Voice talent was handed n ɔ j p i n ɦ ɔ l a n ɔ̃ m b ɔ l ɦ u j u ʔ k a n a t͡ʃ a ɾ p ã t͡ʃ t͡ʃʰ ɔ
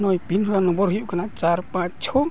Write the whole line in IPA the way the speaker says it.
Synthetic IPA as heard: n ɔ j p i n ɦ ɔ ɾ a n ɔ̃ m b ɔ ɾ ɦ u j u ʔ k a n a t͡ʃ a ɾ p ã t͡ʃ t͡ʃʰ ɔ